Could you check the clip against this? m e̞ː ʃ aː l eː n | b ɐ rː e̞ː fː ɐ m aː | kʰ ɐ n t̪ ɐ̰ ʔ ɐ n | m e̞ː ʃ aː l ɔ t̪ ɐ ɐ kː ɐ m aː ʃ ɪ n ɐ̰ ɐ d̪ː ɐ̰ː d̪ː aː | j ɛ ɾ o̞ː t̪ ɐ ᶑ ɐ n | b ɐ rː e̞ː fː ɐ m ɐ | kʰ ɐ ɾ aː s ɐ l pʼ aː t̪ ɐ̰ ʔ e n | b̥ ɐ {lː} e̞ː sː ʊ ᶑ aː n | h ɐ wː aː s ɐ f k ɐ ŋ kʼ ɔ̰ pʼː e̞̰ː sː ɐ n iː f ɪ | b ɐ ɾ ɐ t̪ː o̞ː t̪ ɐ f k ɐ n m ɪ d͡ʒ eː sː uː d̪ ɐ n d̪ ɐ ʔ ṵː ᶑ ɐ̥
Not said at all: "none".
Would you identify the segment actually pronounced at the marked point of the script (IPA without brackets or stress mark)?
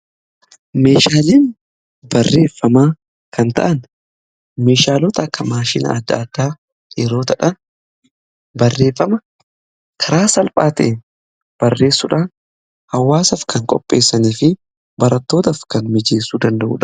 rː